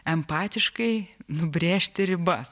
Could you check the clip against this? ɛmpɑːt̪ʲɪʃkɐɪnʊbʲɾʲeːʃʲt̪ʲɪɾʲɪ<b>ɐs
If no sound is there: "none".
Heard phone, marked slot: b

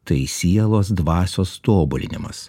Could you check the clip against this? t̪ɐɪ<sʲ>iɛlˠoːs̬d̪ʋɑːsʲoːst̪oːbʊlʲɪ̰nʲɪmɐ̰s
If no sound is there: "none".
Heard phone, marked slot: sʲ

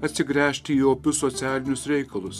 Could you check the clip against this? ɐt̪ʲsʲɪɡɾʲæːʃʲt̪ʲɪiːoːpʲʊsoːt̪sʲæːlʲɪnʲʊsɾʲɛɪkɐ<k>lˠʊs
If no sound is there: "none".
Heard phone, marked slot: none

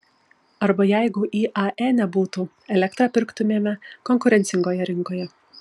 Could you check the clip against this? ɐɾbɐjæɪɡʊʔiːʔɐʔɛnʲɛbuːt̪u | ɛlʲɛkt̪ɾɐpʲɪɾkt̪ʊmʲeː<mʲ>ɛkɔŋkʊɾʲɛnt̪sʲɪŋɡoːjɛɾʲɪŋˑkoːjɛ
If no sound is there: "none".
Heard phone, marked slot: mʲ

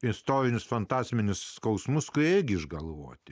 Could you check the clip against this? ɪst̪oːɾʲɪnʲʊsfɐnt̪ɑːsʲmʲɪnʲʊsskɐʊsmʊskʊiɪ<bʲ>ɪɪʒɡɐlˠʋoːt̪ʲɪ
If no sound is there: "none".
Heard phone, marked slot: ɡʲ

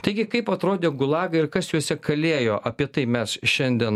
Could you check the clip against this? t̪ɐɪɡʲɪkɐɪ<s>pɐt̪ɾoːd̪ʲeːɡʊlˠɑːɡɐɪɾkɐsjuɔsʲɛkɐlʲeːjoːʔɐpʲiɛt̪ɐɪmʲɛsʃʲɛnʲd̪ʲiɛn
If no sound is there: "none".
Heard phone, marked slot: none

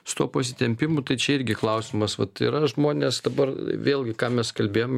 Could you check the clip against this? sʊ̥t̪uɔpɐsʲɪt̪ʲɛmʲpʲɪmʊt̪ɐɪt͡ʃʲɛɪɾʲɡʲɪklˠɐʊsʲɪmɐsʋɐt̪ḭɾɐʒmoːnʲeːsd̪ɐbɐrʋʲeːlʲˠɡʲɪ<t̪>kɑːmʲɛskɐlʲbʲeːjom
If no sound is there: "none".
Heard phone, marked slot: none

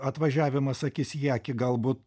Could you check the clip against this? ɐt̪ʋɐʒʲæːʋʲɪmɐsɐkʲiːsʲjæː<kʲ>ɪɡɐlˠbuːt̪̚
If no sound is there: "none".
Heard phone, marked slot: kʲ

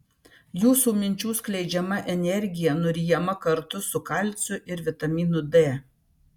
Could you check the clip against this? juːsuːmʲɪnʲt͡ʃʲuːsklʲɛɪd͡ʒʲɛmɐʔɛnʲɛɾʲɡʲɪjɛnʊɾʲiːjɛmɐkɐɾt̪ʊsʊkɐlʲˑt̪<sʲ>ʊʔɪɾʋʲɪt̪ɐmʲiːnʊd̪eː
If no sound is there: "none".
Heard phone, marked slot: sʲ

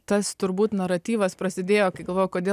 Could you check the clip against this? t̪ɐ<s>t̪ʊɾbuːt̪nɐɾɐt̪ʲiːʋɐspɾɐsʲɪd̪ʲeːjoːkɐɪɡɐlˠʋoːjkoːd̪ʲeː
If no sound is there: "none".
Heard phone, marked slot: s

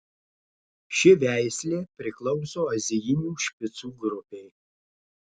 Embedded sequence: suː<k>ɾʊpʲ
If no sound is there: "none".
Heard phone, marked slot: ɡ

